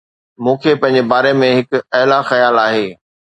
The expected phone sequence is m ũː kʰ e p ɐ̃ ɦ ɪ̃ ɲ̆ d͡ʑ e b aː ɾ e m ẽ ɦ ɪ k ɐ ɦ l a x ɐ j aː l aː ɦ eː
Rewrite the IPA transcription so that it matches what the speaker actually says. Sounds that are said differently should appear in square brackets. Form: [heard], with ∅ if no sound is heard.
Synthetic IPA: m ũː kʰ e p ɐ̃ ɦ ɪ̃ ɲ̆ d͡ʑ e b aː ɾ e m ẽ ɦ ɪ k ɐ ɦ l a x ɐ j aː l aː ɦ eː